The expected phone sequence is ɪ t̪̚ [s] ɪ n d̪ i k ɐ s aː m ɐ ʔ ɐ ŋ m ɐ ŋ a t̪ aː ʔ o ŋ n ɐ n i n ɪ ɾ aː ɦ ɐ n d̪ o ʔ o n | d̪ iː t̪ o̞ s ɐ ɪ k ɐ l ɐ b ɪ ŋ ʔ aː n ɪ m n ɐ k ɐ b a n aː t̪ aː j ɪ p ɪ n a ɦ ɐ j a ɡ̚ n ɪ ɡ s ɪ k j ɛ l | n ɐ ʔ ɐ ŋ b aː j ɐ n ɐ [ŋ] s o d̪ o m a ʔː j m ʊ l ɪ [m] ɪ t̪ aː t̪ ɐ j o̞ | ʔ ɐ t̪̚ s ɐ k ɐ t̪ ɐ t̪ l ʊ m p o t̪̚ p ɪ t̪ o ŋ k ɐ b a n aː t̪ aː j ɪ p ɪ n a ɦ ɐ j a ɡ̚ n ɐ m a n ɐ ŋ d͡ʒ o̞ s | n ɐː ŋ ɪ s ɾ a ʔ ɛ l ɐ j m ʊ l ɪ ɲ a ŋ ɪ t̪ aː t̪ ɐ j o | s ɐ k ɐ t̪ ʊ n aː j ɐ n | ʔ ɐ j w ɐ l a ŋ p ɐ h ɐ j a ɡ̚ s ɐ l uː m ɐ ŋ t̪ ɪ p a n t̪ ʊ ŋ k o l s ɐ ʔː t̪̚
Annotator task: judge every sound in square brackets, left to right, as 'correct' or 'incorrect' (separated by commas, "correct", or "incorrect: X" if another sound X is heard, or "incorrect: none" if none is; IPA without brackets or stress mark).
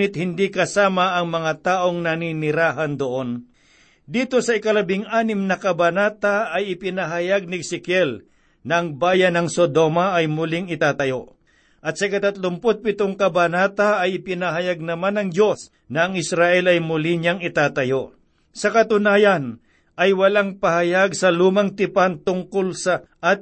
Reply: incorrect: h, correct, incorrect: ŋ